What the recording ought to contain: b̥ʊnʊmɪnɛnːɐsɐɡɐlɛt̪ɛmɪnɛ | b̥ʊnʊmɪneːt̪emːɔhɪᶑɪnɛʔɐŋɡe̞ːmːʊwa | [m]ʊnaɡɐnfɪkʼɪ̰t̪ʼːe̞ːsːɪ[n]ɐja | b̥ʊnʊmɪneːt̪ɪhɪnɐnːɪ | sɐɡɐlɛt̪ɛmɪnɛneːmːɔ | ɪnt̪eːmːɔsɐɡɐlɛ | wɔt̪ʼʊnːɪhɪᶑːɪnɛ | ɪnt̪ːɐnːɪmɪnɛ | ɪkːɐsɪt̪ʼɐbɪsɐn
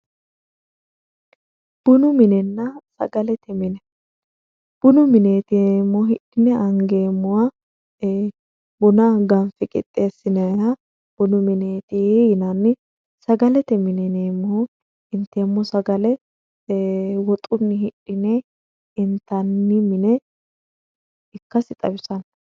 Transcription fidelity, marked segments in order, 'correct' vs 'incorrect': incorrect: b, correct

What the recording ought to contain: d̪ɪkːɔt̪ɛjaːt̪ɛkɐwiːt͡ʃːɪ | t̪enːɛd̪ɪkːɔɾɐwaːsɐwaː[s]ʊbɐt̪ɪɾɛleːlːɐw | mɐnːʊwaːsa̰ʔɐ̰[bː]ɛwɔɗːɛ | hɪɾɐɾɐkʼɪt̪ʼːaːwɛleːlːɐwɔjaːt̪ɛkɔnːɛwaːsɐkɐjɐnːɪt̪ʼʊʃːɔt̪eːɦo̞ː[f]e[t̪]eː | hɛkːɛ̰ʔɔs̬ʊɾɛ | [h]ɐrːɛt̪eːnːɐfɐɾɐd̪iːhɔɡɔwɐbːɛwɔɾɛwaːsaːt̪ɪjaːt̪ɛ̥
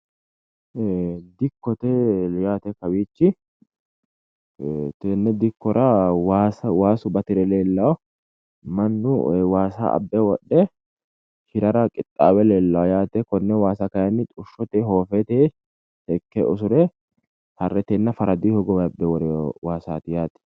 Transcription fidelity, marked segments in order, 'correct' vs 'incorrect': correct, correct, correct, correct, correct

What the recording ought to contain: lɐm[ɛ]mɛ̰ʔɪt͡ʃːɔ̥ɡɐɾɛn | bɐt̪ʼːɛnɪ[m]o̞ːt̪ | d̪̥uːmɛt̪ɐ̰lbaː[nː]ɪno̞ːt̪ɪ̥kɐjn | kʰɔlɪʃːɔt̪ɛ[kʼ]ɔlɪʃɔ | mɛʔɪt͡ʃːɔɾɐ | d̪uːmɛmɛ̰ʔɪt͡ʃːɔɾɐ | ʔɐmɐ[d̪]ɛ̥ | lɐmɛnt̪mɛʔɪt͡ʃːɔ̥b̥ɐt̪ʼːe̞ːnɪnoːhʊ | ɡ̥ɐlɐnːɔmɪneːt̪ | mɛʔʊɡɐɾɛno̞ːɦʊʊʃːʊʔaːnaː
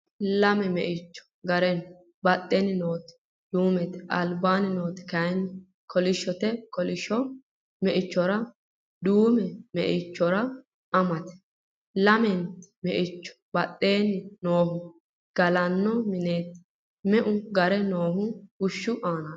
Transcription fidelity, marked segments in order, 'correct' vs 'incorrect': correct, incorrect: n, incorrect: n, incorrect: k, incorrect: t̪

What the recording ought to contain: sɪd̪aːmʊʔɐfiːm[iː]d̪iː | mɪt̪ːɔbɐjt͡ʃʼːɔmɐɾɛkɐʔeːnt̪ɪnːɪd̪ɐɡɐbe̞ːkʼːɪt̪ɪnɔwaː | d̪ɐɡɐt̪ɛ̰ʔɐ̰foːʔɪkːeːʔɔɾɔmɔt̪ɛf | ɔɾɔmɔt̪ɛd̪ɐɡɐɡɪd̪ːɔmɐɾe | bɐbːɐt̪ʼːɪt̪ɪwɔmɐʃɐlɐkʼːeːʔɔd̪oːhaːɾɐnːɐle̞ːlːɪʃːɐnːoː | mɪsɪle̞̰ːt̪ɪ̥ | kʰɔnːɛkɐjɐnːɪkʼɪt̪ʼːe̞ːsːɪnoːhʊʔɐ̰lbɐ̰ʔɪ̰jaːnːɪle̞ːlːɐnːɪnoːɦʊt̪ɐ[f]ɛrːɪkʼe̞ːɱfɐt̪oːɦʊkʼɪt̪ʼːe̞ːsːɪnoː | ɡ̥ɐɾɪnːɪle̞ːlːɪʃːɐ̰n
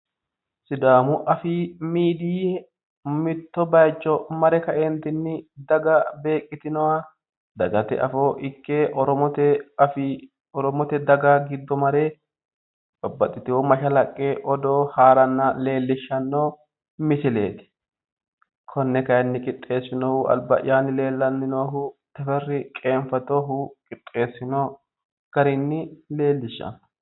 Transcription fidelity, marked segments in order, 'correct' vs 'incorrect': correct, correct

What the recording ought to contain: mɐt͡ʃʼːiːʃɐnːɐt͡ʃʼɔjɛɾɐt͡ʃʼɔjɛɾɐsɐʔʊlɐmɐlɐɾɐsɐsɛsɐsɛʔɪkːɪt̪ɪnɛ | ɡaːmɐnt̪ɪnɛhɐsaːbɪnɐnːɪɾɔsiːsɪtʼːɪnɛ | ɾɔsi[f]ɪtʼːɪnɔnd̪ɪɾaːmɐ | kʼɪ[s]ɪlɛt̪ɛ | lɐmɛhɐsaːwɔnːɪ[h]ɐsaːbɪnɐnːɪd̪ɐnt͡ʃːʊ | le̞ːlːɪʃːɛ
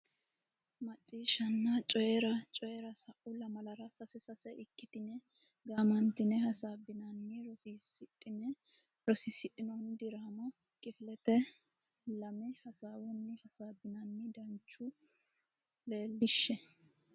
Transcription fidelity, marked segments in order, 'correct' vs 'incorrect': incorrect: s, incorrect: f, correct

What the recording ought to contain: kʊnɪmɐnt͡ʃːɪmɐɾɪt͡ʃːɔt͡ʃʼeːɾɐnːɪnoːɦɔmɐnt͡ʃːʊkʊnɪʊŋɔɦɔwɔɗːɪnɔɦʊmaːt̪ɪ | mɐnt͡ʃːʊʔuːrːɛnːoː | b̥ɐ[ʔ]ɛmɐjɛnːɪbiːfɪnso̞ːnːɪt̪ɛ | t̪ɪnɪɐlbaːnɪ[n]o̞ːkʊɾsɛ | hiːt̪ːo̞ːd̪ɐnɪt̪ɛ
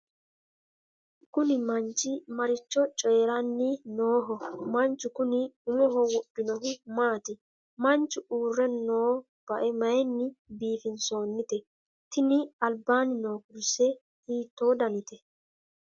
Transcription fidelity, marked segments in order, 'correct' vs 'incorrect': correct, correct

